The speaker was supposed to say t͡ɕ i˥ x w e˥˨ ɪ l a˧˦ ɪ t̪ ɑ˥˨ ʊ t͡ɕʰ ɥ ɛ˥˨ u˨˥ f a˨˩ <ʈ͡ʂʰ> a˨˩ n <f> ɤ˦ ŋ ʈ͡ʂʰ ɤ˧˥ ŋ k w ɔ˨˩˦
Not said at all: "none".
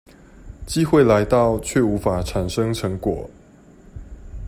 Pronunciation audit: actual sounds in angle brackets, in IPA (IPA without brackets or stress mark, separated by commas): ʈ͡ʂʰ, ʂ